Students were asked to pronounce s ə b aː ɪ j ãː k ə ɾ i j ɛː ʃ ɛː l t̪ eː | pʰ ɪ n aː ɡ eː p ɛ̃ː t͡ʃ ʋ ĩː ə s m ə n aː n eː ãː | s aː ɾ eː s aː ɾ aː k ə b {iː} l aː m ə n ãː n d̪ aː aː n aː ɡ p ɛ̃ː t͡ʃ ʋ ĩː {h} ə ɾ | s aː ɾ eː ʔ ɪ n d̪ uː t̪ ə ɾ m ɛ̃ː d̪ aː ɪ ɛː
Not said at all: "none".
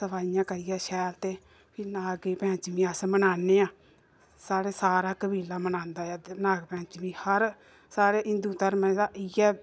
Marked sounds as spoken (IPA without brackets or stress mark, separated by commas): iː, h